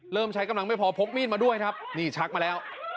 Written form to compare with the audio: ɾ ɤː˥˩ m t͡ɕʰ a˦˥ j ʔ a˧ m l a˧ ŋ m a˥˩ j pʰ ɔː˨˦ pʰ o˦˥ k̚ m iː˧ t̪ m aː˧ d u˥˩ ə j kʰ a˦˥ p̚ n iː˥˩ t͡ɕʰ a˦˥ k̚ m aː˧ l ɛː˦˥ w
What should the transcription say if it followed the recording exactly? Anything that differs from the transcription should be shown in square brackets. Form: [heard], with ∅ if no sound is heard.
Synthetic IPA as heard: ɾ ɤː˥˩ m t͡ɕʰ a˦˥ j [k] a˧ m l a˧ ŋ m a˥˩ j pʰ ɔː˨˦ pʰ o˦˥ k̚ m [iː˥˩] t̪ m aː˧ d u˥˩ ə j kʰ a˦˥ p̚ n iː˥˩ t͡ɕʰ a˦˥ k̚ m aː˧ l ɛː˦˥ w